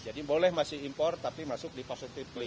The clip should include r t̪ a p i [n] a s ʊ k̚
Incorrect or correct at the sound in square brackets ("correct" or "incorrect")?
incorrect